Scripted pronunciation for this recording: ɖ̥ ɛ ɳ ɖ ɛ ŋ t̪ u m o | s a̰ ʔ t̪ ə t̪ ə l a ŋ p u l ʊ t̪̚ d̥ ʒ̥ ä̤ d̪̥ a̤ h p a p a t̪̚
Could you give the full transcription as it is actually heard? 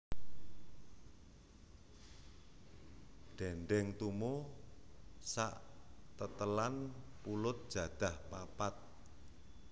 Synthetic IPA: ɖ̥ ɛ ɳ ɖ ɛ ŋ t̪ u m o | s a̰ ʔ t̪ ə t̪ ə l a n p u l ʊ t̪̚ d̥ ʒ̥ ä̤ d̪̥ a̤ h p a p a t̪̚